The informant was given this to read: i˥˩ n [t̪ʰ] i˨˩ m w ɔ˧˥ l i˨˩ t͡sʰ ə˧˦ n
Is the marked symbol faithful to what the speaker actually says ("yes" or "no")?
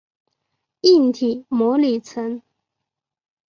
yes